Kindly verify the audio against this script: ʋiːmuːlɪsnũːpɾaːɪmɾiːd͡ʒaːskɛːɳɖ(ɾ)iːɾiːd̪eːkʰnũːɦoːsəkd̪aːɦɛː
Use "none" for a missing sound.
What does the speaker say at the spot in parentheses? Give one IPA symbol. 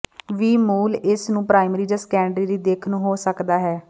ɾ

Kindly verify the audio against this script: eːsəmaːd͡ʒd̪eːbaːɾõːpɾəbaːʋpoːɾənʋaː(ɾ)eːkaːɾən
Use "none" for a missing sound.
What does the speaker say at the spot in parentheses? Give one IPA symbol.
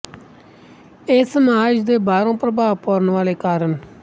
l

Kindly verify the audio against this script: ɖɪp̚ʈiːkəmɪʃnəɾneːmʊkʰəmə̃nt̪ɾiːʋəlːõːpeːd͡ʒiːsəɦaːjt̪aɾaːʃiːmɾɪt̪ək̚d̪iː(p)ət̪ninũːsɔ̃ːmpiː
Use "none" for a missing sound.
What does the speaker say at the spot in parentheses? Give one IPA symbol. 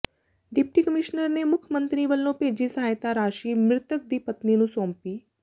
p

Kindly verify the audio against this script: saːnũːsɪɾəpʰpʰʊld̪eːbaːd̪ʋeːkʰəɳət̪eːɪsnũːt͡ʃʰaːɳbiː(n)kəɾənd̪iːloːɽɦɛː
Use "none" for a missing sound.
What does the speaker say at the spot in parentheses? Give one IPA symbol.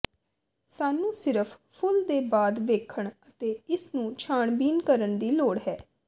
n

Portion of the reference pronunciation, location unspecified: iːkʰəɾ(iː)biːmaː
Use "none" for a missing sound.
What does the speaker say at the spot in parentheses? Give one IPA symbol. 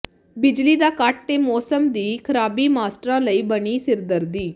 aː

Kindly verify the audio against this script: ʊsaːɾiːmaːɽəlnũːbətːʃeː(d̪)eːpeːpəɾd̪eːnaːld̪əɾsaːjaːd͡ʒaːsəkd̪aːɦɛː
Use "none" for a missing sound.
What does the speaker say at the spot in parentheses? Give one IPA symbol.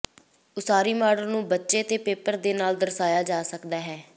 t̪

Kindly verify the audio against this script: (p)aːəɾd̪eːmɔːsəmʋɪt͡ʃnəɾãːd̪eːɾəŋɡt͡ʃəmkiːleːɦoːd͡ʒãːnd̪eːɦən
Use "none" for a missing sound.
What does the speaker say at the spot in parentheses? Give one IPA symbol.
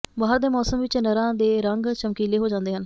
b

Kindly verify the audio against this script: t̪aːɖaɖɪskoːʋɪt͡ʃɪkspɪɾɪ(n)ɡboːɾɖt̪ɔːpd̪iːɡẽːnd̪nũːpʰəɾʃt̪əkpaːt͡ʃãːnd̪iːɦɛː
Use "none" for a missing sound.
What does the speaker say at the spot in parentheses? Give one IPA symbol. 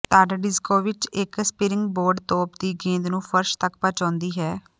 ŋ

